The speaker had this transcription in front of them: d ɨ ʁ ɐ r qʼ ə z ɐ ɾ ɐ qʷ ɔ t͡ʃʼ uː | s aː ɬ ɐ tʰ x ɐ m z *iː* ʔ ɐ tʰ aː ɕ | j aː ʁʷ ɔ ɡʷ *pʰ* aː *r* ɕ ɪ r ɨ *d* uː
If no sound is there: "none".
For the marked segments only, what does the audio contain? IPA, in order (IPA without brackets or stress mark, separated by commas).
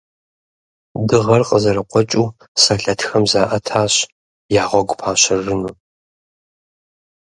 aː, pʰ, none, n